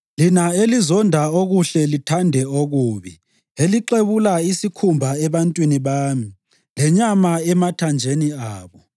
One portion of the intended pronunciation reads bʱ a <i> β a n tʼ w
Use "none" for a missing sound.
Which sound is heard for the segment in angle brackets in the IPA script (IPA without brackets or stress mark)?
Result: ɛ